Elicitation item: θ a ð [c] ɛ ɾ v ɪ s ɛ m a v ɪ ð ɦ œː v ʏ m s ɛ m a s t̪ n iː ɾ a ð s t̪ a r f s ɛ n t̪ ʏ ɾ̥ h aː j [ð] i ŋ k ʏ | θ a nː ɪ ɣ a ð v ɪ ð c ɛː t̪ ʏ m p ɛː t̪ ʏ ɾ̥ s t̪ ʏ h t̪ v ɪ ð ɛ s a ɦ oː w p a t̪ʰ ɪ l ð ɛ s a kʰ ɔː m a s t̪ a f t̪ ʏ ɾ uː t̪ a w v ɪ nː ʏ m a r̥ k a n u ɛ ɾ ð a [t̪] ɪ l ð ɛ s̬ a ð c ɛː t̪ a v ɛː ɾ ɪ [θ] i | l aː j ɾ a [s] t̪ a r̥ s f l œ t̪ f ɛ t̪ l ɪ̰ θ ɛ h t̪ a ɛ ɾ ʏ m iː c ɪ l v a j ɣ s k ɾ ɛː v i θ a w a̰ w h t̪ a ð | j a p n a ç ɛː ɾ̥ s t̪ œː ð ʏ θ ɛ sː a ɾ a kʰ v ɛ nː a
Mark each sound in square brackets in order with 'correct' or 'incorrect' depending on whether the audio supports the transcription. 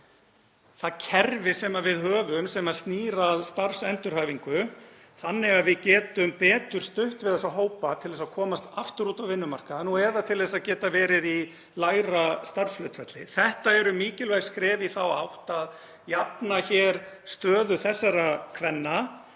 incorrect: cʰ, incorrect: v, incorrect: t̪ʰ, incorrect: ð, correct

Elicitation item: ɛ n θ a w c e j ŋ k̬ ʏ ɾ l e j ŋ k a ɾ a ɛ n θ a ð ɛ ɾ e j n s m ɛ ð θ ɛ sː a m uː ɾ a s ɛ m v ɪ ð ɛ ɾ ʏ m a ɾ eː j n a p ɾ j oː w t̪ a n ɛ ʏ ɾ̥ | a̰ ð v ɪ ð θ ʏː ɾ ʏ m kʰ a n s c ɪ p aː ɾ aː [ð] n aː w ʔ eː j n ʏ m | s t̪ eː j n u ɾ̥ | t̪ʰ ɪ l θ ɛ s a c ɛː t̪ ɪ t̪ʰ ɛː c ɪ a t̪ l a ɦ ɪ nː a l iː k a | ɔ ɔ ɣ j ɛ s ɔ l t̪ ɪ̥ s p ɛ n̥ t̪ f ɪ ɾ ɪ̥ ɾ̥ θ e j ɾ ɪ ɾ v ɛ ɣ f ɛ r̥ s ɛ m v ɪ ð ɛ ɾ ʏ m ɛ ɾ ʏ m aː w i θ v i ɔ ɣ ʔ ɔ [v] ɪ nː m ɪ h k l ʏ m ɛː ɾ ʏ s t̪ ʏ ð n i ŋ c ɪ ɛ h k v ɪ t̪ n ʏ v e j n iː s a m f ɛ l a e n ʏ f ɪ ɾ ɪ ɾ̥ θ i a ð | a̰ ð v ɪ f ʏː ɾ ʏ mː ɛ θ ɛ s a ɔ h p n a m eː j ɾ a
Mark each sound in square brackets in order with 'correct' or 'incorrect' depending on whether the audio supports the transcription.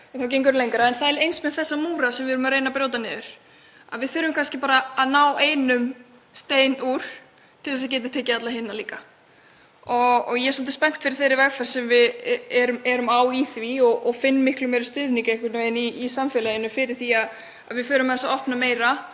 correct, incorrect: f

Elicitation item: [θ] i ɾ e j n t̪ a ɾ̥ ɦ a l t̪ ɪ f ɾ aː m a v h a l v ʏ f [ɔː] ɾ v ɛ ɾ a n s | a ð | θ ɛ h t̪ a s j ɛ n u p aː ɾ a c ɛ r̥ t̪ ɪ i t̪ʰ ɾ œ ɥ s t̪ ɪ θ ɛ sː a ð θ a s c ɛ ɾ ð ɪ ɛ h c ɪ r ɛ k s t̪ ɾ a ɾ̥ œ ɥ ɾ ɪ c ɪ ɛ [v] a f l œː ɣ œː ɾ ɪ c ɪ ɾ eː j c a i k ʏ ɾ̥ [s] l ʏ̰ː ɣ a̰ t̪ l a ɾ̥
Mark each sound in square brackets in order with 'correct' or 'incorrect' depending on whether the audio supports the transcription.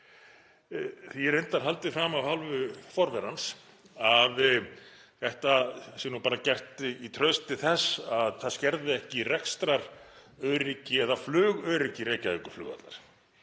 correct, incorrect: ɔ, incorrect: ð, incorrect: f

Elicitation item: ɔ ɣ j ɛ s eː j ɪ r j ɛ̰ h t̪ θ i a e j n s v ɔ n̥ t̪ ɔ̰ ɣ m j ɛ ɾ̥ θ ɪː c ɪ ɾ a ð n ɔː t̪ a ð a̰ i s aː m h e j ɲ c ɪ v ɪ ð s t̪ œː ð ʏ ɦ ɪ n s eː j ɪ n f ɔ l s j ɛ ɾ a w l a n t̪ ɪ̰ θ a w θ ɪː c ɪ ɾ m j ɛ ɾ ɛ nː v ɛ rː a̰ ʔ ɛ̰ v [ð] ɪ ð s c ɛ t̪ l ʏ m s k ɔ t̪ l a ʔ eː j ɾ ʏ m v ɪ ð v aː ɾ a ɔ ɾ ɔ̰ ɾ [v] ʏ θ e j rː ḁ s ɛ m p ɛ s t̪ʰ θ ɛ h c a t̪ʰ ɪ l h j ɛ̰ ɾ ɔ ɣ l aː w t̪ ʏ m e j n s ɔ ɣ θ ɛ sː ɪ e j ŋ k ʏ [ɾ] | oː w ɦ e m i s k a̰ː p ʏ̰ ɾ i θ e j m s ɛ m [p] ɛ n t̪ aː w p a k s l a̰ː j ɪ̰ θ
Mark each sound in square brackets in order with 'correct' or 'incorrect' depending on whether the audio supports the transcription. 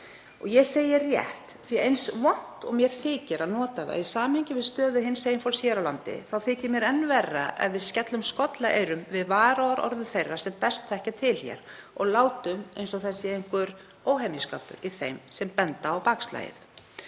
incorrect: v, incorrect: ð, correct, correct

